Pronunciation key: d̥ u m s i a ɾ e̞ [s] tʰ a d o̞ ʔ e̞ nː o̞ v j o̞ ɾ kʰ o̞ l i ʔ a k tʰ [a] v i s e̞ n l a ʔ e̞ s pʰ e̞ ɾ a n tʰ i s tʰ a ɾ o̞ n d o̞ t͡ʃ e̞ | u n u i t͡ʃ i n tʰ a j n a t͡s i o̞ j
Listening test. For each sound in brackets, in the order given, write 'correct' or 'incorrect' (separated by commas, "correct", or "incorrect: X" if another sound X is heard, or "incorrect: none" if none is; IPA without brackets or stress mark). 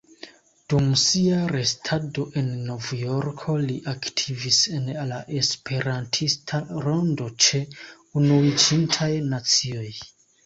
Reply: correct, incorrect: i